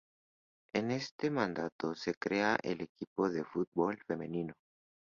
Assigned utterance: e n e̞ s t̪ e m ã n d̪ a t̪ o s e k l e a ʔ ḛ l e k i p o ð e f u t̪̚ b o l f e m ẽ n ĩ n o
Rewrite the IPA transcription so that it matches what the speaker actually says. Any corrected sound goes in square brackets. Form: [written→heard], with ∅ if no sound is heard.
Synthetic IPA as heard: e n e̞ s t̪ e m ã n d̪ a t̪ o s e k [l→ɾ] e a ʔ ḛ l e k i p o ð e f u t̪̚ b o l f e m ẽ n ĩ n o

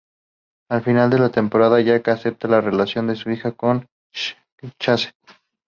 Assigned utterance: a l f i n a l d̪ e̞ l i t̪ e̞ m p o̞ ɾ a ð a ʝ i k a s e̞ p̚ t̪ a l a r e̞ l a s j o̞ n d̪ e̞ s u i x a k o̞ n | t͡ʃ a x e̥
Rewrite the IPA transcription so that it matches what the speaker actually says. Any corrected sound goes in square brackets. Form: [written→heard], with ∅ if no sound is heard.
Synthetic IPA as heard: a l f i n a l d̪ e̞ l [i→a] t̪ e̞ m p o̞ ɾ a ð a ʝ [i→a] k a s e̞ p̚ t̪ a l a r e̞ l a s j o̞ n d̪ e̞ s u i x a k o̞ n | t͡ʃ a [x→s] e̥

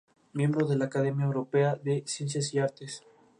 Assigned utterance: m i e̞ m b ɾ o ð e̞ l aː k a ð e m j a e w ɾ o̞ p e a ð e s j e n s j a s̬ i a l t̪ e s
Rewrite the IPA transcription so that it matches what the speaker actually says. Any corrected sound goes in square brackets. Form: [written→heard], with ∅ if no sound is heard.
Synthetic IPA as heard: m [i→j] e̞ m b ɾ o ð e̞ l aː k a ð e m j a e w ɾ o̞ p e a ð e s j e n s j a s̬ i a [l→ɾ] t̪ e s

